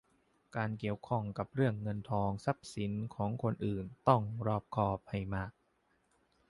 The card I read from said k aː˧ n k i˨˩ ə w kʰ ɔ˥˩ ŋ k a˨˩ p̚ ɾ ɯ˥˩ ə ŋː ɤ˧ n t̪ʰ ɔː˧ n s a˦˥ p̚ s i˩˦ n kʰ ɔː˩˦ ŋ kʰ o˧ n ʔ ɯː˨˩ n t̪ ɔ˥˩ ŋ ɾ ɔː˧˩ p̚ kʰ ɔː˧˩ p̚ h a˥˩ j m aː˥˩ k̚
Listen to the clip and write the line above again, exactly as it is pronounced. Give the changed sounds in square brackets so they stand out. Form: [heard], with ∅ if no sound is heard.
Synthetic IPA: k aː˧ n k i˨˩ ə w kʰ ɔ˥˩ ŋ k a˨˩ p̚ ɾ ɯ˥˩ ə ŋː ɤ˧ n t̪ʰ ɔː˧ [ŋ] s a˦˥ p̚ s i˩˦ n kʰ ɔː˩˦ ŋ kʰ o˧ n ʔ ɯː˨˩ n t̪ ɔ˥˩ ŋ ɾ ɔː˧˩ p̚ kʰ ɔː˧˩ p̚ h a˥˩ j m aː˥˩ k̚